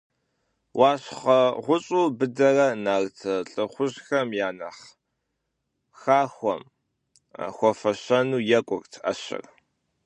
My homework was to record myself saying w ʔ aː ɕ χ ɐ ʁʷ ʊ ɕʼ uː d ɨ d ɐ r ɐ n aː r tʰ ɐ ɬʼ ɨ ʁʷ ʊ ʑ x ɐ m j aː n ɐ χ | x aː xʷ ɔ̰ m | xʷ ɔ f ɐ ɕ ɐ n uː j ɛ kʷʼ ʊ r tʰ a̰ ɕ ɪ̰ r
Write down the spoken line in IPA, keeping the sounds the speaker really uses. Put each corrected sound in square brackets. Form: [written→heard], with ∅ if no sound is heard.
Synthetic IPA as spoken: w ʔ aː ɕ χ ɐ ʁʷ ʊ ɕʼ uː [d→b] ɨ d ɐ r ɐ n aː r tʰ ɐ ɬʼ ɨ [ʁʷ→χʷ] ʊ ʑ x ɐ m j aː n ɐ χ | x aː xʷ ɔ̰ m | xʷ ɔ f ɐ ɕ ɐ n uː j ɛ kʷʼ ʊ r tʰ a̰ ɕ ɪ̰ r